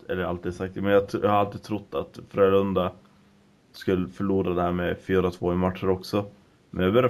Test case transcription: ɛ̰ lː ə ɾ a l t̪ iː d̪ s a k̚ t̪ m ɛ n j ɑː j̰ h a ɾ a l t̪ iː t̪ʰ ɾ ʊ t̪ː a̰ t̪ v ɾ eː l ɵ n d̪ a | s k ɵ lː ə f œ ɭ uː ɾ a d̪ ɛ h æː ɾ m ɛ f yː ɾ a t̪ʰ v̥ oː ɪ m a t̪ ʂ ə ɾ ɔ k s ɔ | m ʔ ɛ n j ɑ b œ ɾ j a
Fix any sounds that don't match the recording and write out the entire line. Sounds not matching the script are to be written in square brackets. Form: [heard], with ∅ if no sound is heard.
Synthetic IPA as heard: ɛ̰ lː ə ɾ a l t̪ iː d̪ s a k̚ t̪ m ɛ n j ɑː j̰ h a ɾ a l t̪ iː t̪ʰ ɾ ʊ t̪ː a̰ t̪ [f] ɾ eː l ɵ n d̪ a | s k ɵ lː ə f œ ɭ uː ɾ a d̪ ɛ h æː ɾ m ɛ f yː ɾ a t̪ʰ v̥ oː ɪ m a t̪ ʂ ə ɾ ɔ k s ɔ | m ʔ ɛ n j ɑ b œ ɾ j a